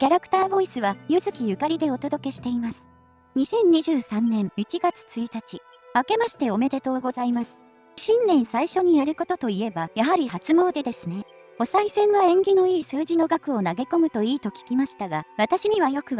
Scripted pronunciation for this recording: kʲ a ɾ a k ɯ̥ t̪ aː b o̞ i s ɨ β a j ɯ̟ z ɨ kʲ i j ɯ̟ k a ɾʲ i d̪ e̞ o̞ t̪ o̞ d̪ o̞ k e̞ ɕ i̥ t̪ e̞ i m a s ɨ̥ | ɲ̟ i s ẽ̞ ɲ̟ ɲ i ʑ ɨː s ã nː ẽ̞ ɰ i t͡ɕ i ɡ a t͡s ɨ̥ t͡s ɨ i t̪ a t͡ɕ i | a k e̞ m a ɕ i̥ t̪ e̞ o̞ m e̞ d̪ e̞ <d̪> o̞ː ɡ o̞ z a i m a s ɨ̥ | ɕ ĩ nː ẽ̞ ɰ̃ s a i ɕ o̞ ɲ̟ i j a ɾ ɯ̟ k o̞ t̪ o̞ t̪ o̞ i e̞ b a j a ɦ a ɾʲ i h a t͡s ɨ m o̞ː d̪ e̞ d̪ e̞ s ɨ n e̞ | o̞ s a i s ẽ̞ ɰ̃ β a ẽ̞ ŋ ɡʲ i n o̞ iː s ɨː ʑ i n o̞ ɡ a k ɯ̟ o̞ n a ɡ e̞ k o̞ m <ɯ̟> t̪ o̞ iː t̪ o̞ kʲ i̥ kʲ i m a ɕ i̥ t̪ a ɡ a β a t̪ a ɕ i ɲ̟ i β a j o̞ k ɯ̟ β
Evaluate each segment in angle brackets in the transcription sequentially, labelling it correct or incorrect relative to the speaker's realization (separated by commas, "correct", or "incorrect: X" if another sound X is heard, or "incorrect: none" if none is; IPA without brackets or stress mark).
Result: incorrect: t̪, correct